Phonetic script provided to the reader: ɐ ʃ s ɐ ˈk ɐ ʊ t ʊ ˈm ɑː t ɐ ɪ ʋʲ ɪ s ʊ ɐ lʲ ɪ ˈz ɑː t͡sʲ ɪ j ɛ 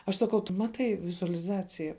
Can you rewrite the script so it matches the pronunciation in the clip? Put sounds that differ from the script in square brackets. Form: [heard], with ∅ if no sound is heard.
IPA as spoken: ɐ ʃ s ɐ ˈk ɐ ʊ t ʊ ˈm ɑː t ɐ ɪ ʋʲ ɪ [z] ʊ ɐ lʲ ɪ ˈz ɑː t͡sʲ ɪ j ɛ